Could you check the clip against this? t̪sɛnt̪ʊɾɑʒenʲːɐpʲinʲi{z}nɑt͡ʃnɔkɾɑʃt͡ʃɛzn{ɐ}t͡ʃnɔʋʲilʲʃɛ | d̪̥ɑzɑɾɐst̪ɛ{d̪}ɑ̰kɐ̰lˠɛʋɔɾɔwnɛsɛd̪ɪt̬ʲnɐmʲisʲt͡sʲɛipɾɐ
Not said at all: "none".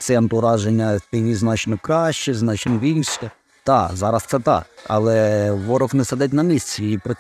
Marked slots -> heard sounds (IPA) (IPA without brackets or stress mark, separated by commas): z, ɑ, t̪